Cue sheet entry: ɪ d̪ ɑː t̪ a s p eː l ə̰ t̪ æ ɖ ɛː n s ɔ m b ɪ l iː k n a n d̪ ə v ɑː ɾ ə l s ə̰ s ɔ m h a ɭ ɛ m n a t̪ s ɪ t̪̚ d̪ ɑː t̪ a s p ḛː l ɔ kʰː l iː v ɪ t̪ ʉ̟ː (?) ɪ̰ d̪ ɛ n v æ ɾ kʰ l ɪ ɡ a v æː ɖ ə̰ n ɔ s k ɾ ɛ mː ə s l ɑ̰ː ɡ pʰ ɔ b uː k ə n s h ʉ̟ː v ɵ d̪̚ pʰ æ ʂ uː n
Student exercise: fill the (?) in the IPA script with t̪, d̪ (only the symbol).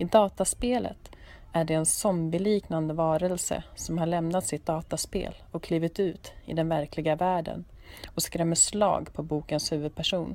t̪